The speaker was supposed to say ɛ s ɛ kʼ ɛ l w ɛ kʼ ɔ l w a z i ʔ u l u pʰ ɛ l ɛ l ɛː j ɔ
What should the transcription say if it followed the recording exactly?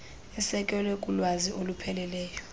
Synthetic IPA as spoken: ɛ s ɛ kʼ ɛ l w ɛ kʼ u l w a z i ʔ o l u pʰ ɛ l ɛ l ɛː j ɔ